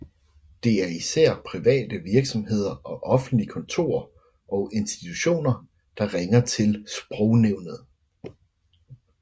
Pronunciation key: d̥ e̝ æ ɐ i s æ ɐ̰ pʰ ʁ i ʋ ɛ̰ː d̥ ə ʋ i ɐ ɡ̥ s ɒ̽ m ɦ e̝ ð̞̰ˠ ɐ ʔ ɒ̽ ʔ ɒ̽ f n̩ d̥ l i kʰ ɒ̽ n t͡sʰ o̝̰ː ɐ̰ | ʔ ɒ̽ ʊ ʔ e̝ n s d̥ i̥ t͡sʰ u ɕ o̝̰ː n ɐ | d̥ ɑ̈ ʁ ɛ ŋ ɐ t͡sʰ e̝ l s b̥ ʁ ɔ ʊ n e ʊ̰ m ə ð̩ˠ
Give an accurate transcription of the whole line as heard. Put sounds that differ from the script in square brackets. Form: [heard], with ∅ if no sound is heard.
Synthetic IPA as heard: d̥ e̝ æ ɐ i s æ ɐ̰ pʰ ʁ i ʋ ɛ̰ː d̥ ə ʋ i ɐ ɡ̥ s ɒ̽ m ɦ e̝ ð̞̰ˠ ɐ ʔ ɒ̽ ʔ ɒ̽ f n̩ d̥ l i kʰ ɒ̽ n t͡sʰ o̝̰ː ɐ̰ | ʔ ɒ̽ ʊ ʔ e̝ n s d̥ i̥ t͡sʰ u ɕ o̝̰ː n ɐ | d̥ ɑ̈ ʁ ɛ ŋ ɐ t͡sʰ e̝ l s b̥ ʁ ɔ ʊ n e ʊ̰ [n] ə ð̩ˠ